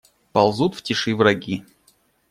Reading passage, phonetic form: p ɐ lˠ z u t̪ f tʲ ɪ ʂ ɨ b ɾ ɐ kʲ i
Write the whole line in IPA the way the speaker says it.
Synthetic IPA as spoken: p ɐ lˠ z u t̪ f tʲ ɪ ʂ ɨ v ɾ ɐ ɡʲ i